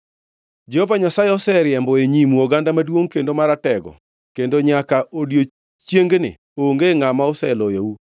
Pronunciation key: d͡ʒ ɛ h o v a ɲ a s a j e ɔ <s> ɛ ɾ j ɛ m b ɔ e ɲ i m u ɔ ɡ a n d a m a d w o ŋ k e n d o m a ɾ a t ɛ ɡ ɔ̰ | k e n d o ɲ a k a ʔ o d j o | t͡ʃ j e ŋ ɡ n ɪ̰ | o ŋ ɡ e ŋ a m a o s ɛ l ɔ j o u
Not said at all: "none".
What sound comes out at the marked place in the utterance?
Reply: s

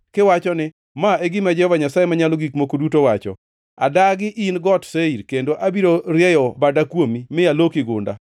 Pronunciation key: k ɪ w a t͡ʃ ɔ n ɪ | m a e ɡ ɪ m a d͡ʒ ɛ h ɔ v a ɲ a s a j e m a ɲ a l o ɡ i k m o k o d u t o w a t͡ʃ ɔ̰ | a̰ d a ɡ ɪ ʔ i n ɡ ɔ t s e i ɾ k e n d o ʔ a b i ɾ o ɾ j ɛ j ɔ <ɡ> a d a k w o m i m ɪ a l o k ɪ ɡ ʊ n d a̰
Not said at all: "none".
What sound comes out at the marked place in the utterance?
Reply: b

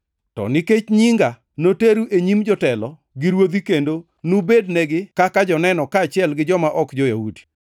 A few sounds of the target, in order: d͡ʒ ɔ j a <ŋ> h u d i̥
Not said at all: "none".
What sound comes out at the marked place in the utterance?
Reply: none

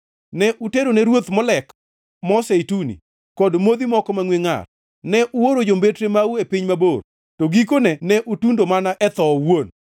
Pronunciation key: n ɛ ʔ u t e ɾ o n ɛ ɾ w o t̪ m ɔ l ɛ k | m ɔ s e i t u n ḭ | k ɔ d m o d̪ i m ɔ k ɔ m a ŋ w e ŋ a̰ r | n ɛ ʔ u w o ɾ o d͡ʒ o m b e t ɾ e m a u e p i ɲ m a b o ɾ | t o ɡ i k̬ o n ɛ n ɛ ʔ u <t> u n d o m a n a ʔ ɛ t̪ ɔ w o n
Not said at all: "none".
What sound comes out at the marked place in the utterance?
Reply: t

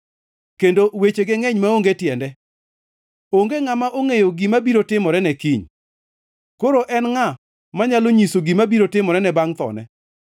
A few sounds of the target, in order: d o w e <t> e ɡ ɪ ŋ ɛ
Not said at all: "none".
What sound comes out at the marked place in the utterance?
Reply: t͡ʃ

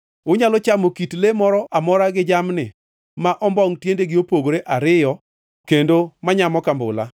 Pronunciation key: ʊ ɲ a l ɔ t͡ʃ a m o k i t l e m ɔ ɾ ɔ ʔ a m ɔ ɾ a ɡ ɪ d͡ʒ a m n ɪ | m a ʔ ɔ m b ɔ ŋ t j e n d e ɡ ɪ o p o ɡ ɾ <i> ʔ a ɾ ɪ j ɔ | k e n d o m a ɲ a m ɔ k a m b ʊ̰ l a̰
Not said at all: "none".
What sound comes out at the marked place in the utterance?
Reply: e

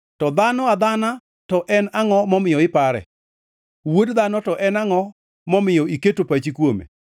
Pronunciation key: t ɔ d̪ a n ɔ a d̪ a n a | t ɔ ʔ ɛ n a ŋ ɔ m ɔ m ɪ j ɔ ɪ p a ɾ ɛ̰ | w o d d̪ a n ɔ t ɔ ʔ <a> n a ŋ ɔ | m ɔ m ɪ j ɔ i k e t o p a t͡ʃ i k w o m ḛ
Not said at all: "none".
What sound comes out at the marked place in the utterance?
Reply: ɛ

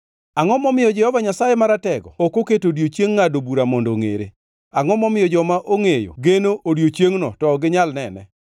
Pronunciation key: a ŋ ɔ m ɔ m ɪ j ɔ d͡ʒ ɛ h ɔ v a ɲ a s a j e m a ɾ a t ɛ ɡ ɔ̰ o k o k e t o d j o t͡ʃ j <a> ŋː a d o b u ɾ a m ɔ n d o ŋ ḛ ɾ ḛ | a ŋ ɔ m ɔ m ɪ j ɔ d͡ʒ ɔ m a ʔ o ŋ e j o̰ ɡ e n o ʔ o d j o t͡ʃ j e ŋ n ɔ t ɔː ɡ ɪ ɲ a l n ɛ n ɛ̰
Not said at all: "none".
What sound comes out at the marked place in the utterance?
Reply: e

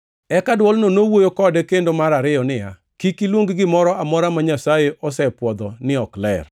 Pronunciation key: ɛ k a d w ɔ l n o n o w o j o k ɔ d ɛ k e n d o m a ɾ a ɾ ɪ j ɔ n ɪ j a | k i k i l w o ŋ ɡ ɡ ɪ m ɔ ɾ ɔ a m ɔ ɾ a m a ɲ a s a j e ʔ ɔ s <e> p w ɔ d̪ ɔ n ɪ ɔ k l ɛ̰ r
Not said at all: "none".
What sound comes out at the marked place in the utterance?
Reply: ɛ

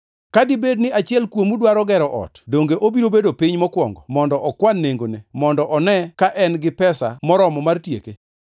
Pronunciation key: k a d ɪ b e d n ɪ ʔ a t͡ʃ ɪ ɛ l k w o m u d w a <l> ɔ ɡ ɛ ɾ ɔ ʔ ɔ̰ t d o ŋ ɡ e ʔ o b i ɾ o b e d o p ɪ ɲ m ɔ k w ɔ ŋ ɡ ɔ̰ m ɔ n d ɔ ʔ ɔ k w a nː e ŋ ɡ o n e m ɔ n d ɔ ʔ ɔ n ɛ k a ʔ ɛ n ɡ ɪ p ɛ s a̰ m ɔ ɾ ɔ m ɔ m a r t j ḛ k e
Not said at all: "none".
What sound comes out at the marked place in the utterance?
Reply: ɾ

